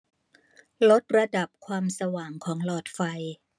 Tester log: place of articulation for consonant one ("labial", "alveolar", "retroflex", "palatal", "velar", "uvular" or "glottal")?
alveolar